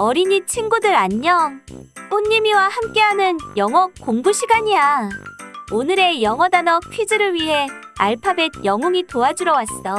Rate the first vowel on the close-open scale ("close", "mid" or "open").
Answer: mid